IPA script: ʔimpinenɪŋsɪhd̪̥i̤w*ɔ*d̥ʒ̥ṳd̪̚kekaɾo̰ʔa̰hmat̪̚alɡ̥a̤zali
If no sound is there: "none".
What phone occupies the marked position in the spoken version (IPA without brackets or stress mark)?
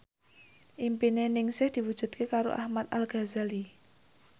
u